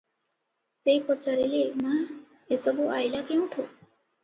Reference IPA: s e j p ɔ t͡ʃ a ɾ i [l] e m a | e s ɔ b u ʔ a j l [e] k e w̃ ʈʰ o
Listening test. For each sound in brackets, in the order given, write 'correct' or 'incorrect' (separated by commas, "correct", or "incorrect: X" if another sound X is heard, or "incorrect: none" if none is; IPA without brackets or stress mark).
correct, incorrect: a